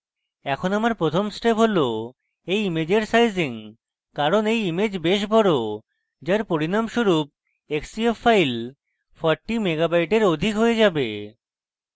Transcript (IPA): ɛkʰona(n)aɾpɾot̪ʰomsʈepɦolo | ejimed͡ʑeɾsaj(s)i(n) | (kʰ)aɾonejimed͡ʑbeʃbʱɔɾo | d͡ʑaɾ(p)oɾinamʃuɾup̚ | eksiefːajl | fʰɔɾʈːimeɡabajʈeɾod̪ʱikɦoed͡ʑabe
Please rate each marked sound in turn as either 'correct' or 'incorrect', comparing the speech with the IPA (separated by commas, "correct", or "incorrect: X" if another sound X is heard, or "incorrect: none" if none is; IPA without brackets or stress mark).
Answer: incorrect: m, incorrect: z, incorrect: ŋ, incorrect: k, correct